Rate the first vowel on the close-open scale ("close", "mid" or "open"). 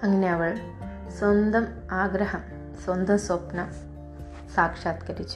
open